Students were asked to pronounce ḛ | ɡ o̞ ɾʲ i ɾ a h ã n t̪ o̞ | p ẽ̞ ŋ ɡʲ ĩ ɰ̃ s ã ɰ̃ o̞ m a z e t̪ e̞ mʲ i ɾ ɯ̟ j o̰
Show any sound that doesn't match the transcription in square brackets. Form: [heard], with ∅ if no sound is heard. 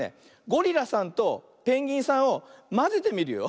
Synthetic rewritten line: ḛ | ɡ o̞ ɾʲ i ɾ a [s] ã n t̪ o̞ | p ẽ̞ ŋ ɡʲ ĩ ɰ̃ s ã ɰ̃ o̞ m a z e t̪ e̞ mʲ i ɾ ɯ̟ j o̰

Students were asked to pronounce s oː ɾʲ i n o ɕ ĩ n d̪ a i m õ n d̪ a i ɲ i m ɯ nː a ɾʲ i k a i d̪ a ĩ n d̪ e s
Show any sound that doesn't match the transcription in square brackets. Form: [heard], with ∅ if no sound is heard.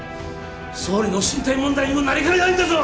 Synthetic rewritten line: s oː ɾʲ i n o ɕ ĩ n [t̪] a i m õ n d̪ a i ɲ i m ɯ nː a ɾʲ i k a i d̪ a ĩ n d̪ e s

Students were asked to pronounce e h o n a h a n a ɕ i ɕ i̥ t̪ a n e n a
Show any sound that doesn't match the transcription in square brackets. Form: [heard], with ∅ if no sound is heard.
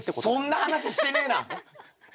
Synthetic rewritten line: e [s] o [nː] a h a n a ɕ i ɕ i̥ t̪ [e] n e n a

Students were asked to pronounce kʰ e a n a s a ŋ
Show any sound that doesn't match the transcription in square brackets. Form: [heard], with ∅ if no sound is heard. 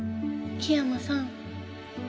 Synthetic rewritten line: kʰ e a [m] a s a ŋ

